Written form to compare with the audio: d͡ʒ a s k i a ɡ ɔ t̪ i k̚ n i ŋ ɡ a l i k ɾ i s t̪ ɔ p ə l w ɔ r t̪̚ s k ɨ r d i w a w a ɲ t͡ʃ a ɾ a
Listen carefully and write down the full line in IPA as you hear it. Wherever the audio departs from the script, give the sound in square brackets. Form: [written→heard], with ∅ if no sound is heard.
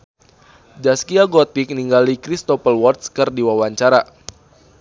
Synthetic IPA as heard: d͡ʒ a s k i a ɡ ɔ t̪ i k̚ n i ŋ ɡ a l i k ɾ i s t̪ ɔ p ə l w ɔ r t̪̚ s k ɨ r d i w a w a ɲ t͡ʃ a ɾ a

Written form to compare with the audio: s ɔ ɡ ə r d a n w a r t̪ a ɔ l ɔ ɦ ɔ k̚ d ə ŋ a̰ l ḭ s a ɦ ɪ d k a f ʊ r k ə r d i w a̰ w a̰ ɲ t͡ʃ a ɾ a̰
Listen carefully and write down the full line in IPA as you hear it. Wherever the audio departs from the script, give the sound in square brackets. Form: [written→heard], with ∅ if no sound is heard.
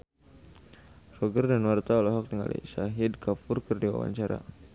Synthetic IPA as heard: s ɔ ɡ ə r d a n w a r t̪ a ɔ l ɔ ɦ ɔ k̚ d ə ŋ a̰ l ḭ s a ɦ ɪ d k a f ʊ r k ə r d i w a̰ w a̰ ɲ t͡ʃ a ɾ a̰

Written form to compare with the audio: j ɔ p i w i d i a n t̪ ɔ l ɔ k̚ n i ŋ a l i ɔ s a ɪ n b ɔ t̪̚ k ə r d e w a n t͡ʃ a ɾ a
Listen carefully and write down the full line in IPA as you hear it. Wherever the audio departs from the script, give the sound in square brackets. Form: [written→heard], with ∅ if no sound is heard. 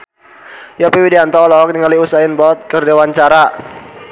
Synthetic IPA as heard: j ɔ p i w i d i a n t̪ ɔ l ɔ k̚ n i ŋ a l i [ɔ→u] s a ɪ n b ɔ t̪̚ k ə r d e w a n t͡ʃ a ɾ a

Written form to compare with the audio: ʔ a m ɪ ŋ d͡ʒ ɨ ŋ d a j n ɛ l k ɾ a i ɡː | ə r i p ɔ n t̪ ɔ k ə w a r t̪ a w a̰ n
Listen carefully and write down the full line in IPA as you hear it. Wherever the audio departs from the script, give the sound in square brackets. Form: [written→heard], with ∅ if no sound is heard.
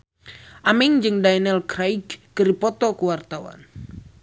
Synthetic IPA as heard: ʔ a m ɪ ŋ d͡ʒ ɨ ŋ d a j n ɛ l k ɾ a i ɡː | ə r i p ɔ [n→∅] t̪ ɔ k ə w a r t̪ a w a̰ n

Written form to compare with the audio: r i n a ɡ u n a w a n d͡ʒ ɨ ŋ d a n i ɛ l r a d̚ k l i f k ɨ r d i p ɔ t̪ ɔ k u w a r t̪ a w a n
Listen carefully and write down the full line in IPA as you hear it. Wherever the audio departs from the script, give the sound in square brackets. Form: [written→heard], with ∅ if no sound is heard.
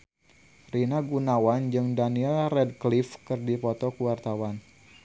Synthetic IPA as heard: r i n a ɡ u n a w a n d͡ʒ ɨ ŋ d a n i ɛ l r [a→ɛ] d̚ k l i f k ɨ r d i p ɔ t̪ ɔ k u w a r t̪ a w a n

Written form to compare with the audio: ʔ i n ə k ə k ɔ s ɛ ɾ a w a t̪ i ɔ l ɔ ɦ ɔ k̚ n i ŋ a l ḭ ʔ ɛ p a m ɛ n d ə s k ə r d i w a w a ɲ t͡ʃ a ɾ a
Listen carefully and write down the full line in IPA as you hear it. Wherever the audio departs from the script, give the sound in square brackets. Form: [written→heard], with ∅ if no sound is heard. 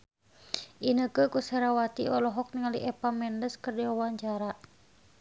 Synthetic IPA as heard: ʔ i n ə k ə k [ɔ→u] s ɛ ɾ a w a t̪ i ɔ l ɔ ɦ ɔ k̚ n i ŋ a l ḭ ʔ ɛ p a m ɛ n d ə s k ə r d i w a w a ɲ t͡ʃ a ɾ a

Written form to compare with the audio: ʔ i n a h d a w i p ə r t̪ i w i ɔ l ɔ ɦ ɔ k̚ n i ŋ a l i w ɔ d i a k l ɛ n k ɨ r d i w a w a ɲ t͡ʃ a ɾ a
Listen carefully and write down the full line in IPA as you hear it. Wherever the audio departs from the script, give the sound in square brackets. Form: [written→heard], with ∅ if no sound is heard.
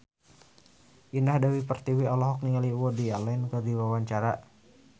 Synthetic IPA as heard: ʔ i n a h d a w i p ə r t̪ i w i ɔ l ɔ ɦ ɔ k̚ n i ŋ a l i w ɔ d i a [k→∅] l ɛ n k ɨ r d i w a w a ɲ t͡ʃ a ɾ a

